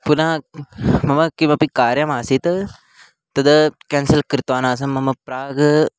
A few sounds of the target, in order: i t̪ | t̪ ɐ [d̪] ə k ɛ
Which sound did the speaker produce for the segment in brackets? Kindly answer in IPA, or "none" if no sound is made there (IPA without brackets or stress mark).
d̪